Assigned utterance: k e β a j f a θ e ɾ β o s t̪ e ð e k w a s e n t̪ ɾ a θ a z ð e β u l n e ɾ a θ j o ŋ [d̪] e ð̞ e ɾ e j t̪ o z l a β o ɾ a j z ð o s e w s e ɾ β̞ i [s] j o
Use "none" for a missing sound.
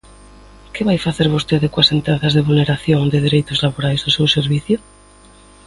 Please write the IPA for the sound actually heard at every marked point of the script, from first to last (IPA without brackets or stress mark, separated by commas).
d̪, θ